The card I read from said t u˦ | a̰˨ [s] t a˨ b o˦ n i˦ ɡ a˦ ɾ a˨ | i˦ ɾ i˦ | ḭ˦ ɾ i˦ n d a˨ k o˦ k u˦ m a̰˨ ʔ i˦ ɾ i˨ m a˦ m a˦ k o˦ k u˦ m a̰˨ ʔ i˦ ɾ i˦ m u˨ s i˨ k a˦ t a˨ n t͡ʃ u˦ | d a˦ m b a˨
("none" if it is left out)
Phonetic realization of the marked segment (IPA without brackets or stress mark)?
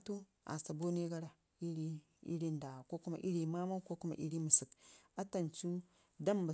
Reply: s